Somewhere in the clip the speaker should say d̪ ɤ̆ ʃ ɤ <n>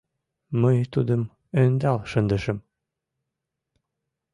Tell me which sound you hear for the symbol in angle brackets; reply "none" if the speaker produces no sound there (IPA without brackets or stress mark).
m